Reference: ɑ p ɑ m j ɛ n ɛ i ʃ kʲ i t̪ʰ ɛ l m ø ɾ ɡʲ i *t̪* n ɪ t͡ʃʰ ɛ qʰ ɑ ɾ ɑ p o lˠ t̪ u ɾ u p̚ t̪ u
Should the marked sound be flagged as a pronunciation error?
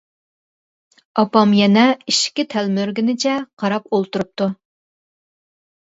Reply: yes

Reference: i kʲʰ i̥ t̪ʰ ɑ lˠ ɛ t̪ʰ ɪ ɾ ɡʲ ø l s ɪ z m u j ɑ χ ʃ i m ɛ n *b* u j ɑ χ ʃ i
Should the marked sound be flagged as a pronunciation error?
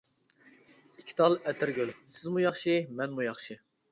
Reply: yes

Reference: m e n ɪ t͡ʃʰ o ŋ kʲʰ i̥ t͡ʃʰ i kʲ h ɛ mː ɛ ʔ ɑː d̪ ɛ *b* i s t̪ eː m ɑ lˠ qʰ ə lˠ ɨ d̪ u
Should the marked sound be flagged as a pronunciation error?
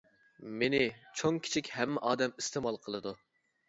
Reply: yes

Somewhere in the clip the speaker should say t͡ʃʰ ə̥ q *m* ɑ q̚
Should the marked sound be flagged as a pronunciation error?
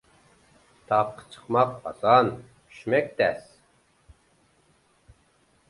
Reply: no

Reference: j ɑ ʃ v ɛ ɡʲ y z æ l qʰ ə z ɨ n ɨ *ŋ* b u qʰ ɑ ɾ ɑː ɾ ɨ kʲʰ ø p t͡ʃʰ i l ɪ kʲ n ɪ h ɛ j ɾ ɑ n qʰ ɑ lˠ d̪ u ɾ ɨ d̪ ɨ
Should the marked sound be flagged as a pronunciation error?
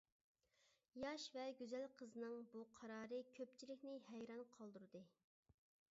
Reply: no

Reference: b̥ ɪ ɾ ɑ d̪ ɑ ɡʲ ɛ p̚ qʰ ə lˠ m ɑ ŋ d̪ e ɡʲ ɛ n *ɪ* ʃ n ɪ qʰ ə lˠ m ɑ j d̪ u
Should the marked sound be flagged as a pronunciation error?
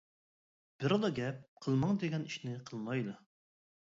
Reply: yes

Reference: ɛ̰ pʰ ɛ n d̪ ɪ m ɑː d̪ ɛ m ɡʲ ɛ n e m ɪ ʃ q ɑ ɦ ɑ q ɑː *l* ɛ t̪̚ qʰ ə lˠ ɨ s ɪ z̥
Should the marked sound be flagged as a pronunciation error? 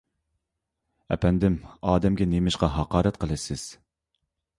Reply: yes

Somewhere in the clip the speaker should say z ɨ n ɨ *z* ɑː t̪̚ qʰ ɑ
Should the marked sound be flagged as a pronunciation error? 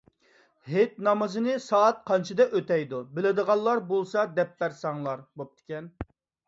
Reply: yes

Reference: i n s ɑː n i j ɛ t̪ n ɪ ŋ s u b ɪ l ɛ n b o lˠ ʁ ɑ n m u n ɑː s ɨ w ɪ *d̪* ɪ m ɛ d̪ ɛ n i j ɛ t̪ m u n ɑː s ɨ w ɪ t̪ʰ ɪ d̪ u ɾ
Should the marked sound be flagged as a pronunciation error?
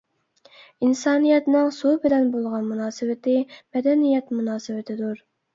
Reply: yes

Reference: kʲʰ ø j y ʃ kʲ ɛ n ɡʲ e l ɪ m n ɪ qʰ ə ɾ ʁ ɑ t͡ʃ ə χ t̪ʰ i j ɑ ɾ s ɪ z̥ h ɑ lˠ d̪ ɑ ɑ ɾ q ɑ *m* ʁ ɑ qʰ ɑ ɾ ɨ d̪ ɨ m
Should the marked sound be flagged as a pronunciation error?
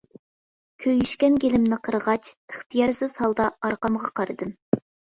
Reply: no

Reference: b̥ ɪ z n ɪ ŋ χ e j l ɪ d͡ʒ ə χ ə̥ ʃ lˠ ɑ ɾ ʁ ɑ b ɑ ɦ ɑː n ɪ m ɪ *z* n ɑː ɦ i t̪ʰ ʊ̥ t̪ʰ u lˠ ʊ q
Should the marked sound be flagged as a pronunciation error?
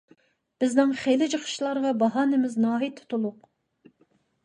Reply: no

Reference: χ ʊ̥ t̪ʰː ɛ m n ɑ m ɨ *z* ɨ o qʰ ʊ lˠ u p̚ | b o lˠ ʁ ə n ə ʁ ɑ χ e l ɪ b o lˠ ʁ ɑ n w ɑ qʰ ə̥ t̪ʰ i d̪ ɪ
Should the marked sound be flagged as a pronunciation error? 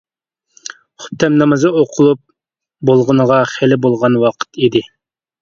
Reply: no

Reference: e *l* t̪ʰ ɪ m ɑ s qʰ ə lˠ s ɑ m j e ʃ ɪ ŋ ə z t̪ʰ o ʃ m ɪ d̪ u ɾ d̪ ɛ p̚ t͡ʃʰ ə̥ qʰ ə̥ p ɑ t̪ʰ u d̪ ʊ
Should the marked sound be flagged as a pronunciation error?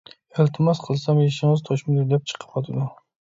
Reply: no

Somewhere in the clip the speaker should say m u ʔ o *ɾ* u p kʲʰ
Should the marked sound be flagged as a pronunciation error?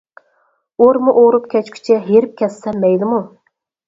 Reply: no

